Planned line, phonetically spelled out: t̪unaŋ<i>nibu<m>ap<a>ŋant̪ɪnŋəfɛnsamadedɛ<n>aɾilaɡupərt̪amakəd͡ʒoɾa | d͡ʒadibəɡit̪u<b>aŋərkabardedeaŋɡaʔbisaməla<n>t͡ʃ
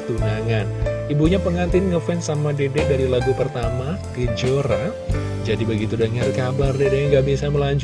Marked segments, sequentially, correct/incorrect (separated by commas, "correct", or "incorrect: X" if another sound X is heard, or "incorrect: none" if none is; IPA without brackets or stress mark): incorrect: a, incorrect: ɲ, incorrect: ə, incorrect: d, incorrect: d, incorrect: ɲ